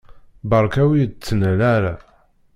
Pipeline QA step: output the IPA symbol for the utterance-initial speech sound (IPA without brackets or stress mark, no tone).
b